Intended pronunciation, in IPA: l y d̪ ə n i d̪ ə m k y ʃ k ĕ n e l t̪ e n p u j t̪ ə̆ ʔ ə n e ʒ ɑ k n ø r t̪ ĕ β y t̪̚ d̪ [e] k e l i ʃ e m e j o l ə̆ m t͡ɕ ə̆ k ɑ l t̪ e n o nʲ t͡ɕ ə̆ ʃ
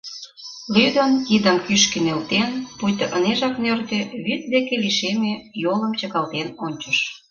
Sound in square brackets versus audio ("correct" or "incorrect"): correct